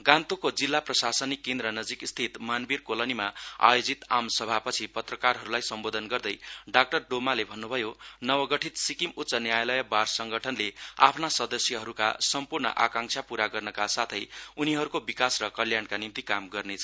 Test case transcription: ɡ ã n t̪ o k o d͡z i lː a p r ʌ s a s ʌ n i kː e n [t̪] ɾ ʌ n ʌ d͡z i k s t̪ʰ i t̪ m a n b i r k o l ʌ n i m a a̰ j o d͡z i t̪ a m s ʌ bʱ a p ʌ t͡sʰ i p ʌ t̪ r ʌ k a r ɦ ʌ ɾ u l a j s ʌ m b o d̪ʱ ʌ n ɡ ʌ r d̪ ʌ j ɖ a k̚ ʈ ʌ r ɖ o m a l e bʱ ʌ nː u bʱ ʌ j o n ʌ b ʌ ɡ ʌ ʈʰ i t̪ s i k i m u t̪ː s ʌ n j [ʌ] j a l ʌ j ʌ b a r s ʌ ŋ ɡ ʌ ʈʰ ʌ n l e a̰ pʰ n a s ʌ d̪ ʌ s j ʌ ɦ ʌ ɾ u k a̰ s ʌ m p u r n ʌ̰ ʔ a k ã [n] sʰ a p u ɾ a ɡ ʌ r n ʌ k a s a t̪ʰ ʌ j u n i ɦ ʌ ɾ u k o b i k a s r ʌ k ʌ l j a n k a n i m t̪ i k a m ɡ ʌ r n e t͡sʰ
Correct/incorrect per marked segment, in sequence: incorrect: d̪, incorrect: a, incorrect: ŋ

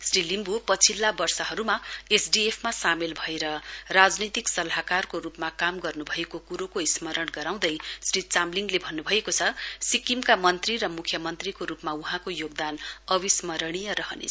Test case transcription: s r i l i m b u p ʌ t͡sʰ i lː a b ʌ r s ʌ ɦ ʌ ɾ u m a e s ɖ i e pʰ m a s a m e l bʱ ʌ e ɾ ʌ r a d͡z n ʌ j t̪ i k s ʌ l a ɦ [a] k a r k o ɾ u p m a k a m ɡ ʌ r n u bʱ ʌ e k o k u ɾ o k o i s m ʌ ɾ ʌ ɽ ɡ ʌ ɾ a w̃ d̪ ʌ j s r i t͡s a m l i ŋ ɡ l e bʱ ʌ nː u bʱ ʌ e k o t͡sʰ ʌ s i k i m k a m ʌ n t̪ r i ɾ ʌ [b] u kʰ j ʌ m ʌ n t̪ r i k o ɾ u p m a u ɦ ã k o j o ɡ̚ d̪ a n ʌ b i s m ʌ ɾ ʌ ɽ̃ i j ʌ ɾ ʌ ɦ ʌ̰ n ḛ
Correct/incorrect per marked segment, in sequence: correct, incorrect: m

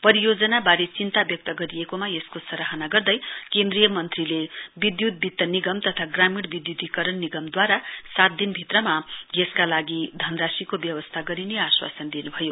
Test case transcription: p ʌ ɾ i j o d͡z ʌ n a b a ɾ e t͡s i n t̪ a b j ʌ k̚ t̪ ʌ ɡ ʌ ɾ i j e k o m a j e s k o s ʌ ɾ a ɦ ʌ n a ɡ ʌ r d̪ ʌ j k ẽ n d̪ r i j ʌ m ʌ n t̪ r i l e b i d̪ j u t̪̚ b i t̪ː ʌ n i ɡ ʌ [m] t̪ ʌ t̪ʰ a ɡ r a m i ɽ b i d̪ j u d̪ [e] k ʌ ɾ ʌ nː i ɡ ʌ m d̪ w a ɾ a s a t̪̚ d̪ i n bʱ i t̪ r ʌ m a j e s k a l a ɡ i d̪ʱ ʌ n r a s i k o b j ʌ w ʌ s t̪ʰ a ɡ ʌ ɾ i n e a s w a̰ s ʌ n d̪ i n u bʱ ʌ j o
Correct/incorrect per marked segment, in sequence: correct, incorrect: i

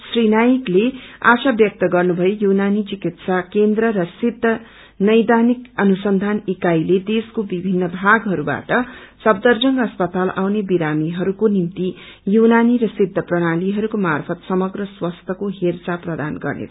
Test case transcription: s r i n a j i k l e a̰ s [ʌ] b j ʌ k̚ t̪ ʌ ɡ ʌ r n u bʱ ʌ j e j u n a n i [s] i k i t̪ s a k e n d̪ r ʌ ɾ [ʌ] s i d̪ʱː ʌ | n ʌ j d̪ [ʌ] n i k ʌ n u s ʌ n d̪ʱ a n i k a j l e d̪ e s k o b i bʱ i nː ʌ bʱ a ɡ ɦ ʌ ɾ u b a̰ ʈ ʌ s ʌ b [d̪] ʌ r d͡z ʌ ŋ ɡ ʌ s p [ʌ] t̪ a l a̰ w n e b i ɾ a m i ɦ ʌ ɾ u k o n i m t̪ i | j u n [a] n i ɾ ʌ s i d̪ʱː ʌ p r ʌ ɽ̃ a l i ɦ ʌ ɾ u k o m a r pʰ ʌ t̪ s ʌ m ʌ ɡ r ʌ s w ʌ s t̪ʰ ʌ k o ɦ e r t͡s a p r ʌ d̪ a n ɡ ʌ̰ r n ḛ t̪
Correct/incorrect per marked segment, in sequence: incorrect: a, incorrect: t͡s, correct, incorrect: a, correct, correct, correct

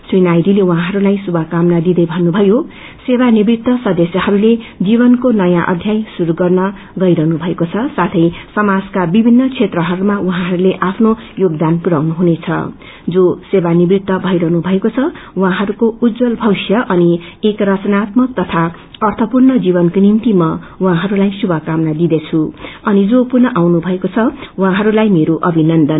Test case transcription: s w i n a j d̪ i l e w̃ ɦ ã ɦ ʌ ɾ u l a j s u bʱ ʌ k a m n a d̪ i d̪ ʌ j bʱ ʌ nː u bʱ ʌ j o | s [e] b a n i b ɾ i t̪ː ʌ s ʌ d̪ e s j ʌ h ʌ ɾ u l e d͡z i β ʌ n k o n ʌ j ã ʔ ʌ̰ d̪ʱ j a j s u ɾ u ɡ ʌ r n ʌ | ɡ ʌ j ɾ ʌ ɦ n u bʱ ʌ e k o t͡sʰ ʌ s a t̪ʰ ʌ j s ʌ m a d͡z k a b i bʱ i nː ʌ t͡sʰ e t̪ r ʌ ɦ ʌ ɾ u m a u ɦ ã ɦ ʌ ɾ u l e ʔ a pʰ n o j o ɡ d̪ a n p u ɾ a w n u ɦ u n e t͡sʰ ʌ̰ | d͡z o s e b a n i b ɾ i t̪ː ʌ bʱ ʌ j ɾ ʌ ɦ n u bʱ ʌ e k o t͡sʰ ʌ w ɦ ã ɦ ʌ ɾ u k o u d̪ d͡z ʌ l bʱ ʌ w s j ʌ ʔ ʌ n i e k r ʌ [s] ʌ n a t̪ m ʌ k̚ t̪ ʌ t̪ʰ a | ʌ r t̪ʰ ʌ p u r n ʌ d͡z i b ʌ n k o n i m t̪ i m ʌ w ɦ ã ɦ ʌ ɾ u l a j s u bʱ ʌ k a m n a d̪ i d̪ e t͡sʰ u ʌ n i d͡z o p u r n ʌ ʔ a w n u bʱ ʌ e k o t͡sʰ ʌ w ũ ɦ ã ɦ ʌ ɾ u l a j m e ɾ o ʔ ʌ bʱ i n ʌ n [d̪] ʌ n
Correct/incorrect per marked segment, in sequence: correct, incorrect: t͡s, correct

